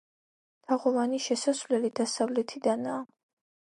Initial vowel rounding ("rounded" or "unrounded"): unrounded